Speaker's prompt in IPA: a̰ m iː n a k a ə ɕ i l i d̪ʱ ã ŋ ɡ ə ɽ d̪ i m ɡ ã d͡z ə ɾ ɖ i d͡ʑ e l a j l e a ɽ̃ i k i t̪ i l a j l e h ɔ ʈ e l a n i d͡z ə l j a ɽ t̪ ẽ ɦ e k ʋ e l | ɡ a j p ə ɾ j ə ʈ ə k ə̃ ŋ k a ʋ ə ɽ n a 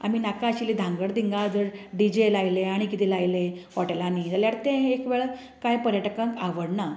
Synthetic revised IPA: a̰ m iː n a k a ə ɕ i l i d̪ʱ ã ŋ ɡ ə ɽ d̪ i ŋ ɡ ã d͡z ə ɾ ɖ i d͡ʑ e l a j l e a ɽ̃ i k i t̪ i l a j l e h ɔ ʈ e l a n i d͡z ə l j a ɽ t̪ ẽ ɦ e k ʋ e ɭ | k a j p ə ɾ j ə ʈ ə k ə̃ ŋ k a ʋ ə ɽ n a

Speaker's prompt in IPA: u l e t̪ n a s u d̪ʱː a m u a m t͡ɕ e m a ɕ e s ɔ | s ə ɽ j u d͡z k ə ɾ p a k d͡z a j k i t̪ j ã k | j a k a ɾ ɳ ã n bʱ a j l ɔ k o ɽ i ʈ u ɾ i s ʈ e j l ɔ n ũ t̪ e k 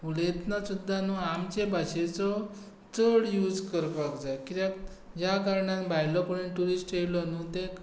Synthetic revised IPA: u l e t̪ n a s u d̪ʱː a n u a m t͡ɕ e b a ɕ e t͡s ɔ | t͡s ə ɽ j u d͡z k ə ɾ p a k d͡z a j k i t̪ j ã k | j a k a ɾ ɳ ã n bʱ a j l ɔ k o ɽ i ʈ u ɾ i s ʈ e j l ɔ n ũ t̪ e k

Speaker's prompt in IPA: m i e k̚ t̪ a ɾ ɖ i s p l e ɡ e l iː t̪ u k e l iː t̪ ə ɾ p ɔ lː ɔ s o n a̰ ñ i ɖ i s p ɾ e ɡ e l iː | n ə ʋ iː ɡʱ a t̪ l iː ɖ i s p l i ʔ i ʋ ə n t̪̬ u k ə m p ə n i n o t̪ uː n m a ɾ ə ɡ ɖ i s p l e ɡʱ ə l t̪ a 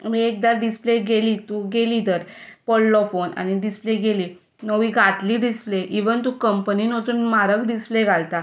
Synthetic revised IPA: m i e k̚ d̪ a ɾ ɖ i s p l e ɡ e l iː t̪ u ɡ e l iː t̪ ə ɾ p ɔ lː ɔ f o n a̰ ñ i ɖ i s p l e ɡ e l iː | n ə ʋ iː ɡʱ a t̪ l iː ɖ i s p l e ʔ i ʋ ə n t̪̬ u k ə m p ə n i n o t̪ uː n m a ɾ ə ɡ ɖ i s p l e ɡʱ a l t̪ a

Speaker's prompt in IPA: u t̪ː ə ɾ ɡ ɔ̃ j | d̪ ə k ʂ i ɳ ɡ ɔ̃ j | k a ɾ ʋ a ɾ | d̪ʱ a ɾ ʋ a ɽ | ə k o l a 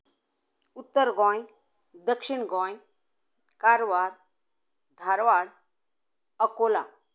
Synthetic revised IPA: u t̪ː ə ɾ ɡ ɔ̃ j | d̪ ə k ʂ i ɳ ɡ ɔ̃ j | k a ɾ ʋ a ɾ | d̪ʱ a ɾ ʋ a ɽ | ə k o l a

